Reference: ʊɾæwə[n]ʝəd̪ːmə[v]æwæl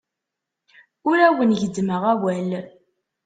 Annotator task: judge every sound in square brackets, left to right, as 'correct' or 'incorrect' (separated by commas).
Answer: correct, incorrect